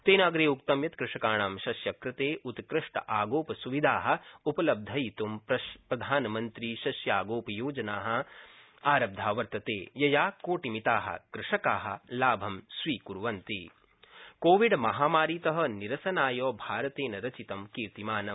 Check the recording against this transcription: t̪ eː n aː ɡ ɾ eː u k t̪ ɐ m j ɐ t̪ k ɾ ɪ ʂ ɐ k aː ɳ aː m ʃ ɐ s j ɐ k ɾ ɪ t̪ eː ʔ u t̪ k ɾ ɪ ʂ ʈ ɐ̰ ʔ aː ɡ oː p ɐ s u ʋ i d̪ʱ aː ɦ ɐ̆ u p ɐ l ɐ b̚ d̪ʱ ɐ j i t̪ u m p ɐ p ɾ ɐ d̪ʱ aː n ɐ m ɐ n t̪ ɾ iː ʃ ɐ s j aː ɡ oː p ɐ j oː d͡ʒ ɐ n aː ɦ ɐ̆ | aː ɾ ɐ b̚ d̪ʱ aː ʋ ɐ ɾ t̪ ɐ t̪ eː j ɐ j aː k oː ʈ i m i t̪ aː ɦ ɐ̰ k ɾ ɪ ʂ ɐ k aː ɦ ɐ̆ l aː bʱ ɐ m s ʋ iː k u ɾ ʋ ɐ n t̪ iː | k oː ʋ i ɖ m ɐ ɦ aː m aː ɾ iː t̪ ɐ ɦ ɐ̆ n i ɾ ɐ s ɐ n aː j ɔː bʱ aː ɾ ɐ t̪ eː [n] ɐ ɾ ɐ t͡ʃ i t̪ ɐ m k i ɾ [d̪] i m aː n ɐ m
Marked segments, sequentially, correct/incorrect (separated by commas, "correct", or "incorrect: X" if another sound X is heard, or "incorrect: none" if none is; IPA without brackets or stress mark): correct, incorrect: t̪